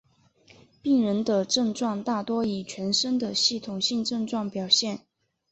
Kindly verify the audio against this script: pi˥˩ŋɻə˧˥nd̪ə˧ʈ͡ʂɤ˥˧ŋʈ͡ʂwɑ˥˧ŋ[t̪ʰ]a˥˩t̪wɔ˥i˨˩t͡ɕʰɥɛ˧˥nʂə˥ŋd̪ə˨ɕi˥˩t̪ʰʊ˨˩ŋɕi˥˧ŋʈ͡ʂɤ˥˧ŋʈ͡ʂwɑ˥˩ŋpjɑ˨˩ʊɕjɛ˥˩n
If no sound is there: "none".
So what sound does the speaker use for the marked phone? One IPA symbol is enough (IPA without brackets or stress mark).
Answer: t̪